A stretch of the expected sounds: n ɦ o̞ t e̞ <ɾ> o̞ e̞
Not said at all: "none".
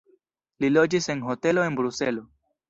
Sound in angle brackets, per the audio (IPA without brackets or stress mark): l